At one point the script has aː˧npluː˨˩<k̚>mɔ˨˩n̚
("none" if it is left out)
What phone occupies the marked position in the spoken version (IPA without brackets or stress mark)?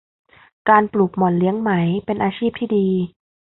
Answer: k̚